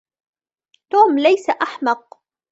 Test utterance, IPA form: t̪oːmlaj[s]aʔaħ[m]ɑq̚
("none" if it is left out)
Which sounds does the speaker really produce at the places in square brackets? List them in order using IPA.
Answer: s, m

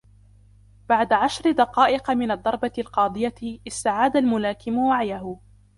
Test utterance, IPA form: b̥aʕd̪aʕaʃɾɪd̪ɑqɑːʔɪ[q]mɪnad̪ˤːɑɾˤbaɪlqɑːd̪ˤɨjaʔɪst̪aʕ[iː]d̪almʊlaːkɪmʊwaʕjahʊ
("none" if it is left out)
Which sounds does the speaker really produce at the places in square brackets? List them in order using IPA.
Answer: q, aː

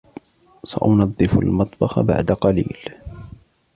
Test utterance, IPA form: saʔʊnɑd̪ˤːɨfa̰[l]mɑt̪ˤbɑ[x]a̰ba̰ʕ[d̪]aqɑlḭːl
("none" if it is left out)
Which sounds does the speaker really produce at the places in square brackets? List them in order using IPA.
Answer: l, x, d̪

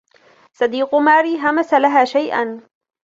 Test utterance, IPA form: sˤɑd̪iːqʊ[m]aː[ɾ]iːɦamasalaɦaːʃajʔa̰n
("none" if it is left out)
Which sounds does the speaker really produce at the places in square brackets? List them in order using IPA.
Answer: m, ɾ

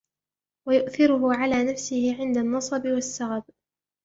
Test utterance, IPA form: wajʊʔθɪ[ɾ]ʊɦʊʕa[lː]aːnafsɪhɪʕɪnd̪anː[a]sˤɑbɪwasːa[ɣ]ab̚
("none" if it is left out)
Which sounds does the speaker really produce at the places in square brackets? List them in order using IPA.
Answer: ɾ, l, ɑ, ɣ

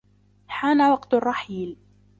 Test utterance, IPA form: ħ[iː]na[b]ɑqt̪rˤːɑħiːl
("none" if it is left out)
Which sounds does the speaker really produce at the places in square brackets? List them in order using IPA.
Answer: aː, w

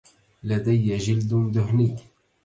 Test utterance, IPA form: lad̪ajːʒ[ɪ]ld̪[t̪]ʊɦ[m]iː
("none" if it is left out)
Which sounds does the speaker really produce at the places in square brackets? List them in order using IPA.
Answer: ɪ, d̪, n

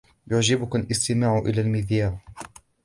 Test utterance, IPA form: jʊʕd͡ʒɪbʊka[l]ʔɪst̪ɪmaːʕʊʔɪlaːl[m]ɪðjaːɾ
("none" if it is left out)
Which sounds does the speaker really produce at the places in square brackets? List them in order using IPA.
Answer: l, m

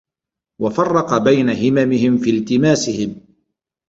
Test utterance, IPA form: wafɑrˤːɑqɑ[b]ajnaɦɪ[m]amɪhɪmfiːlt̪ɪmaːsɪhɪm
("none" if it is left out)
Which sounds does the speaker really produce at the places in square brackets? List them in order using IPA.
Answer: b, m

